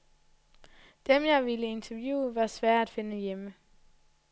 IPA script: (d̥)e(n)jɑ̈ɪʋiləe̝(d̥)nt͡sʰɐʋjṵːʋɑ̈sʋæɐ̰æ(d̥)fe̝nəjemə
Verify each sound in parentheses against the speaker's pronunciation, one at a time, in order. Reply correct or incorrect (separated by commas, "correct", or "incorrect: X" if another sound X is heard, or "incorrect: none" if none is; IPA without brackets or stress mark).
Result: correct, incorrect: m, incorrect: none, correct